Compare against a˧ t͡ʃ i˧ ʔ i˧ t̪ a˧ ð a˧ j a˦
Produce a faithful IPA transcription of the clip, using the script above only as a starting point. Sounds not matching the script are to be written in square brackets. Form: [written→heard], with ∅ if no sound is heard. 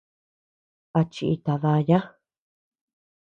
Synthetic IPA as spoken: a˧ t͡ʃ i˧ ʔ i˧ t̪ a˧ ð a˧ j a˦